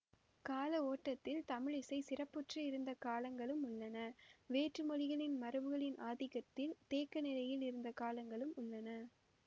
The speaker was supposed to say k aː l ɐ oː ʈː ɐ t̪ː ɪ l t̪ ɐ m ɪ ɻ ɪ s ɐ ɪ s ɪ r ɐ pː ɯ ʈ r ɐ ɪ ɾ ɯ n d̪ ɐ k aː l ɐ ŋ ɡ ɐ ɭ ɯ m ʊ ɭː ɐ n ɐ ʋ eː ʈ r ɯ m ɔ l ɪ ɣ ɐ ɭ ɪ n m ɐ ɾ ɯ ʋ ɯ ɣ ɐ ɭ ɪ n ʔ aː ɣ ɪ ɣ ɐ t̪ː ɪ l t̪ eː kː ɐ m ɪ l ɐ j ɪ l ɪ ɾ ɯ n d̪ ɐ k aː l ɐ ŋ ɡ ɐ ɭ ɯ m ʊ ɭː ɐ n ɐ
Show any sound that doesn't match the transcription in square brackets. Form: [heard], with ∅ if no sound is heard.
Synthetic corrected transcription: k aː l ɐ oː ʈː ɐ t̪ː ɪ l t̪ ɐ m ɪ ɻ ɪ s ɐ ɪ s ɪ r ɐ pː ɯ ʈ r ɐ ɪ ɾ ɯ n d̪ ɐ k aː l ɐ ŋ ɡ ɐ ɭ ɯ m ʊ ɭː ɐ n ɐ ʋ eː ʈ r ɯ m ɔ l ɪ ɣ ɐ ɭ ɪ n m ɐ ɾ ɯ ʋ ɯ ɣ ɐ ɭ ɪ n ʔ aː [ð] ɪ ɣ ɐ t̪ː ɪ l t̪ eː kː ɐ [n] ɪ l ɐ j ɪ l ɪ ɾ ɯ n d̪ ɐ k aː l ɐ ŋ ɡ ɐ ɭ ɯ m ʊ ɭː ɐ n ɐ